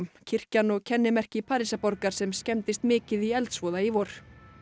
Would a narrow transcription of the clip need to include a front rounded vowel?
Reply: no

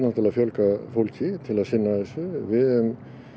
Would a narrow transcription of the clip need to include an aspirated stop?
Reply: yes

